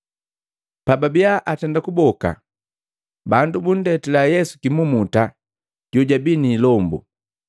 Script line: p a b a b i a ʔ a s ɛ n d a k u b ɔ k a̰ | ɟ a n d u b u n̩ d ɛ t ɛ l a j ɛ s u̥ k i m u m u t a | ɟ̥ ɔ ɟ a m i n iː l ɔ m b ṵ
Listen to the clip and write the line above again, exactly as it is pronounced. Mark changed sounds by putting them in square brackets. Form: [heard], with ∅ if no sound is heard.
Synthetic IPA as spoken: p a b a b i a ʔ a [t] ɛ n d a k u b ɔ k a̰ | [b] a n d u b u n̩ d ɛ t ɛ l a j ɛ s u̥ k i m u m u t a | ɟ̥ ɔ ɟ a [b] i n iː l ɔ m b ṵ